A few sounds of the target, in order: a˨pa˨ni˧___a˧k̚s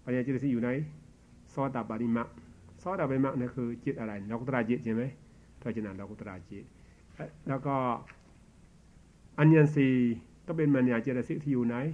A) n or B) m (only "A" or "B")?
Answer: B